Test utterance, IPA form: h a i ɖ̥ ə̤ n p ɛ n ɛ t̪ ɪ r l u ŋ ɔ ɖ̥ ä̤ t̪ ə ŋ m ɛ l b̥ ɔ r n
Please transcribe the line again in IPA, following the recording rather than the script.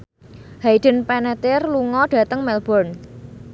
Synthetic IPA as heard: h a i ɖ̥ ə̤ n p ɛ n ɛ t̪ ɪ r l u ŋ ɔ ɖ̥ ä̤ t̪ ə ŋ m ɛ l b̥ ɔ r n

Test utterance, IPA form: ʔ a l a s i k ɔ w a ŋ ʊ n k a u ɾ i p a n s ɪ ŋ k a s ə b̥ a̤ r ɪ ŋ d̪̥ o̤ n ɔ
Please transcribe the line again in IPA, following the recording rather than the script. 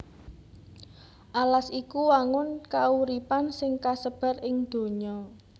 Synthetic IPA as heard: ʔ a l a s i k u w a ŋ ʊ n k a u ɾ i p a n s ɪ ŋ k a s ə b̥ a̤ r ɪ ŋ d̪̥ o̤ ɲ ɔ

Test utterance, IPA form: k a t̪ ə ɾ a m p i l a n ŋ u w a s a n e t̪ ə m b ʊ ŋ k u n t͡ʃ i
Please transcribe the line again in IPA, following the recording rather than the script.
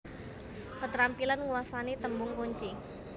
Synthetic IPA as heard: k ə t̪ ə ɾ a m p i l a n ŋ u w a s a n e t̪ ə m b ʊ ŋ k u ɲ t͡ʃ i

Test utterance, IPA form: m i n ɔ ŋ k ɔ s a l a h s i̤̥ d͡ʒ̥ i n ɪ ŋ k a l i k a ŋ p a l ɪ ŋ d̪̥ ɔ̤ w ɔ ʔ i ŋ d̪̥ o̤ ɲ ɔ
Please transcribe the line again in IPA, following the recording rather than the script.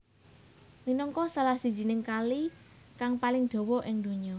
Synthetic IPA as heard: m i n ɔ ŋ k ɔ s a l a h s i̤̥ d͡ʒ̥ i n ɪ ŋ k a l i k a ŋ p a l ɪ ŋ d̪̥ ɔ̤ w ɔ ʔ ɪ ŋ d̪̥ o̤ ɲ ɔ

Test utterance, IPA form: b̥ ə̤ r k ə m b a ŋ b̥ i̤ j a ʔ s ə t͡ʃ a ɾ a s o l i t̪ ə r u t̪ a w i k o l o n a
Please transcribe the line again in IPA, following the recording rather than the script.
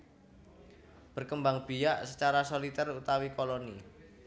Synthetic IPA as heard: b̥ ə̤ r k ə m b a ŋ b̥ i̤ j a ʔ s ə t͡ʃ a ɾ a s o l i t̪ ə r u t̪ a w i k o l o n i

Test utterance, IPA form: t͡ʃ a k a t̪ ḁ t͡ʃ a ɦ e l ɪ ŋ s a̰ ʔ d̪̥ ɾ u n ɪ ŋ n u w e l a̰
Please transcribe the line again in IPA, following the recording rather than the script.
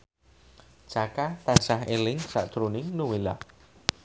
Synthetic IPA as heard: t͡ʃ a k a t̪ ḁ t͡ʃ a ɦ e l ɪ ŋ s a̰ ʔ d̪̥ ɾ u n ɪ ŋ n u w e l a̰

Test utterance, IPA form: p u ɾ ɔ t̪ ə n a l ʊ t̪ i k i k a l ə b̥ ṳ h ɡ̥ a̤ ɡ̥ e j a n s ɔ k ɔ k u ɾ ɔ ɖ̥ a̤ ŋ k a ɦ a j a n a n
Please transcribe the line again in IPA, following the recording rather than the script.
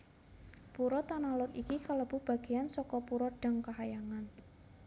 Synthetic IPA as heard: p u ɾ ɔ t̪ a n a l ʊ t̪ i k i k a l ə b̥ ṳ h b̥ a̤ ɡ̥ e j a n s ɔ k ɔ p u ɾ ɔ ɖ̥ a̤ ŋ k a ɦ a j a ŋ a n

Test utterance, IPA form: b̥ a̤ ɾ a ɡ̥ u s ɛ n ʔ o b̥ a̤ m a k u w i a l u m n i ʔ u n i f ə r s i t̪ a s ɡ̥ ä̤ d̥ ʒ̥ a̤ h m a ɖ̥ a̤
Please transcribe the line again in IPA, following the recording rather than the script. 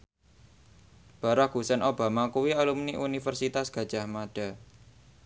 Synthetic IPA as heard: b̥ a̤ ɾ a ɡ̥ u s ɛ n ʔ o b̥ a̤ m a k u w i a l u m n i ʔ u n i f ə r s i t̪ a s ɡ̥ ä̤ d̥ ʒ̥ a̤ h m a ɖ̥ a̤

